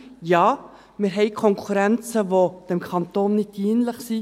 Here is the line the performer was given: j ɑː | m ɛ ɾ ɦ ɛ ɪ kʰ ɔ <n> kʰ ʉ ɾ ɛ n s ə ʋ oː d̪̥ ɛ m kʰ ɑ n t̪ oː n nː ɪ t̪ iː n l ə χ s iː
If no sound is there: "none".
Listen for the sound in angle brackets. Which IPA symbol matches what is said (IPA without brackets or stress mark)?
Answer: ŋ